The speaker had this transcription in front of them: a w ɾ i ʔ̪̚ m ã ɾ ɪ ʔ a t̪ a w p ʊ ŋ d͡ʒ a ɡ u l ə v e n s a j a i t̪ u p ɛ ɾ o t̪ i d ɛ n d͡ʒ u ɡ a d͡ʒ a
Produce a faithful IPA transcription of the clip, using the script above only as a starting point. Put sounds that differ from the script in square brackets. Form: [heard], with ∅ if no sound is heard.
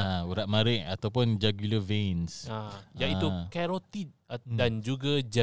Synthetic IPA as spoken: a [u] ɾ [a] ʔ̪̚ m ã ɾ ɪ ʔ a t̪ a w p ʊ [n] d͡ʒ a ɡ u l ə v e n s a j a i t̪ u [k] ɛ ɾ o t̪ i d [a] n d͡ʒ u ɡ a d͡ʒ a